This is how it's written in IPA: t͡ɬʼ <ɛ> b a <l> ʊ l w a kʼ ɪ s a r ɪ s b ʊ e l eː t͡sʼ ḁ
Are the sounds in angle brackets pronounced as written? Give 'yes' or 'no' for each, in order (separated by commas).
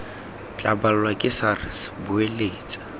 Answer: no, yes